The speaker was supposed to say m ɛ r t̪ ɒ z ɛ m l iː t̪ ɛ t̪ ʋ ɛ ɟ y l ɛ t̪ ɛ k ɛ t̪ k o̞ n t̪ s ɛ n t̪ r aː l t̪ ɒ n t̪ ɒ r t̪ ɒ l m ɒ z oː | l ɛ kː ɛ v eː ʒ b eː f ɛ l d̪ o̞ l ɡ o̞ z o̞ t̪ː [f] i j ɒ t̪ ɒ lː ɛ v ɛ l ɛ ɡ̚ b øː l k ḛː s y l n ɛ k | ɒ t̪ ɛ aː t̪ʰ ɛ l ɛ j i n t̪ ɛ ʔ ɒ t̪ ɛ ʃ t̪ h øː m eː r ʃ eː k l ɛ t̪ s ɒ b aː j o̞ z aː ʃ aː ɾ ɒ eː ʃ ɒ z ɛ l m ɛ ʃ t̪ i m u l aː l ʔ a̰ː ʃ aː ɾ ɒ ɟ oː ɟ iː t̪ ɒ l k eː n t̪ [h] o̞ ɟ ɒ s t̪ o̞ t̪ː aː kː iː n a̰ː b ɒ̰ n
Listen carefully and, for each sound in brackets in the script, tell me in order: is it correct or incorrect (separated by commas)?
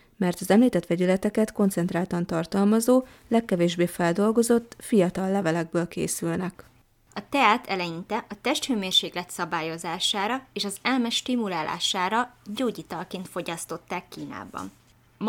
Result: correct, incorrect